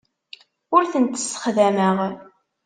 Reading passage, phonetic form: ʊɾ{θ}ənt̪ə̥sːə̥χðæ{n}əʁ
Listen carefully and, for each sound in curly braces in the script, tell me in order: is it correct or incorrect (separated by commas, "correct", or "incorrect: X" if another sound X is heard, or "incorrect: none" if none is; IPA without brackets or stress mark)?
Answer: correct, incorrect: m